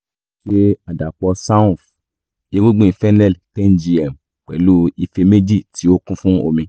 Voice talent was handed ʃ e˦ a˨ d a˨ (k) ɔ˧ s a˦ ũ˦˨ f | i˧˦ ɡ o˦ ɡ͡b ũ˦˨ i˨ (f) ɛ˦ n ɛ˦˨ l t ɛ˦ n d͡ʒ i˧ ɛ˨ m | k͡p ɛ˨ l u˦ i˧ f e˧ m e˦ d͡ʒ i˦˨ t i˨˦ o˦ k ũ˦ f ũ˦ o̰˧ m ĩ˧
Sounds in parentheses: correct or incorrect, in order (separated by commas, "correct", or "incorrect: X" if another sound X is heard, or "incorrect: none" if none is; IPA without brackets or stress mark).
incorrect: k͡p, correct